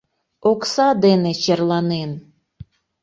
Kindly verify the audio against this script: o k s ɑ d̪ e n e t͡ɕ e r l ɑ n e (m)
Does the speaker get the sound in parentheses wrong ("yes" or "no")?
yes